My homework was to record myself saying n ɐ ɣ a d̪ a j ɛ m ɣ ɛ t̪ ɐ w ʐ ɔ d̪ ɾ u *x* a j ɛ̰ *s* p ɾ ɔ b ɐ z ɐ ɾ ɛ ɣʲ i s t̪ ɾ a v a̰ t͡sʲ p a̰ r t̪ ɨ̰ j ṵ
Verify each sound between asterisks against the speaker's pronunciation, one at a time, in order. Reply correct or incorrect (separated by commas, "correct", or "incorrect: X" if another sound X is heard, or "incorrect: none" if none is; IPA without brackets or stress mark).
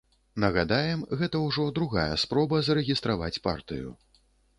incorrect: ɣ, correct